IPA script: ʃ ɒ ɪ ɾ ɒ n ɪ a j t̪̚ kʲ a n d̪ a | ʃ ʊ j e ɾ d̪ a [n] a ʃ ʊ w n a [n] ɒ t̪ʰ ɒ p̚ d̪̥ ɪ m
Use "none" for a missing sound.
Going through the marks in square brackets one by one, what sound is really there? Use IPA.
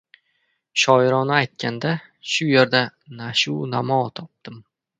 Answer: n, m

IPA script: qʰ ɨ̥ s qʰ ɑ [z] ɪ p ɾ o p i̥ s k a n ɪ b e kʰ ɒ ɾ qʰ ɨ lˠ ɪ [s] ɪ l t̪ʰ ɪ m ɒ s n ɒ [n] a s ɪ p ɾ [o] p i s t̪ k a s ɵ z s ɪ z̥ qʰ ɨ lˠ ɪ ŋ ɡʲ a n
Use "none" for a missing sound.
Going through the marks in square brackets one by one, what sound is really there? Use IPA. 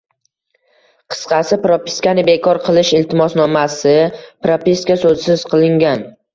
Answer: s, ʃ, m, o

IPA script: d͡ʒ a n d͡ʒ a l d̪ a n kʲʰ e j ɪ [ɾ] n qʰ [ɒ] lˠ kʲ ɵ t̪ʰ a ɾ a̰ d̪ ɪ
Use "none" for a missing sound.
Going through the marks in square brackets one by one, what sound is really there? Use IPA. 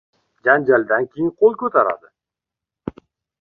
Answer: none, o

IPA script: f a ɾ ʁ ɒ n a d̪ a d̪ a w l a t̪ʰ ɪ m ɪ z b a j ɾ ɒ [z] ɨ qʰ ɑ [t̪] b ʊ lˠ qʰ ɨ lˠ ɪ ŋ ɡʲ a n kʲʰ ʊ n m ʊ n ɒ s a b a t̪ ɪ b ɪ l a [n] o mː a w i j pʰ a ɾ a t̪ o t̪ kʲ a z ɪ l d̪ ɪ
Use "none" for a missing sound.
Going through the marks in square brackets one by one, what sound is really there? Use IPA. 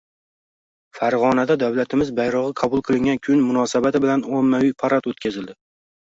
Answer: ʁ, none, n

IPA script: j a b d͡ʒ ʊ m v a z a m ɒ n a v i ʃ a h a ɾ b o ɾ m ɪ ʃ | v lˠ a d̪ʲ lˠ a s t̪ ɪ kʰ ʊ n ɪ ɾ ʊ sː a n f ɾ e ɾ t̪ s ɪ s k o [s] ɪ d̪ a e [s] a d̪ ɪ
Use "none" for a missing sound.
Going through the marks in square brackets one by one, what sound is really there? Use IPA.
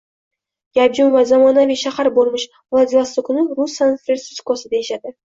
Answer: s, ʃ

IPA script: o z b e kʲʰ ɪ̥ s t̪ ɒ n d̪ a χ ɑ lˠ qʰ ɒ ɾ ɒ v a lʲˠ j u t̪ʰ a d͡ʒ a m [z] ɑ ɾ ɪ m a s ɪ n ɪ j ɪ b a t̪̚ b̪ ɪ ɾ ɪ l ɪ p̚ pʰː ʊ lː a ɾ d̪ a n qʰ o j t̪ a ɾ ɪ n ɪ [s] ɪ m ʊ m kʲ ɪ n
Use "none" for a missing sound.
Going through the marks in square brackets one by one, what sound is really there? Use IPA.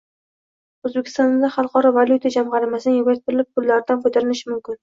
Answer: ʁ, ʃ

